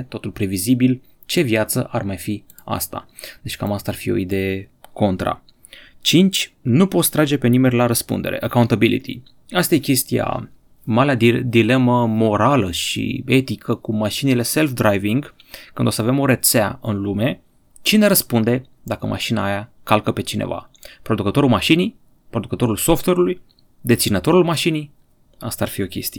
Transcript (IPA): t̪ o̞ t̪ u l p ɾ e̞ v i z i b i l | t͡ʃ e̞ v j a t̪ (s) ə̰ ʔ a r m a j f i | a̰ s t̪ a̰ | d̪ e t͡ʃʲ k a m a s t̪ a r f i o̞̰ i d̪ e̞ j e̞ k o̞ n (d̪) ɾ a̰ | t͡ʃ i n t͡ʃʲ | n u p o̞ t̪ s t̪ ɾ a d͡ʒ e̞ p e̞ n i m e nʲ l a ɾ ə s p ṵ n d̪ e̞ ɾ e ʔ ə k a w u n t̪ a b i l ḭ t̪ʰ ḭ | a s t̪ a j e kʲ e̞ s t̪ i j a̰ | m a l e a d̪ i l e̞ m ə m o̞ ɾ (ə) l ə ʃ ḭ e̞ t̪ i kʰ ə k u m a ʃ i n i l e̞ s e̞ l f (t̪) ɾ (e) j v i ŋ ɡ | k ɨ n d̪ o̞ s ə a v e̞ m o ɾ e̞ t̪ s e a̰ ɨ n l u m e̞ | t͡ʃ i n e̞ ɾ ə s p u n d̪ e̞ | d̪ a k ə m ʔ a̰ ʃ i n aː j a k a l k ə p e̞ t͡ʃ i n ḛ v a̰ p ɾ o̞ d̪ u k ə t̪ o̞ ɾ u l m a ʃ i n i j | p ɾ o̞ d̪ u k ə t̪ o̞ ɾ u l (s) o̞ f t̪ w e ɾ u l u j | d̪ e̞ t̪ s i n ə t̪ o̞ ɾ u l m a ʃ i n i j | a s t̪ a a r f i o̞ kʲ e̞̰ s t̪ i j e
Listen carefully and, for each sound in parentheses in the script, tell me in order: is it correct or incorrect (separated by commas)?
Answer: correct, incorrect, incorrect, incorrect, incorrect, correct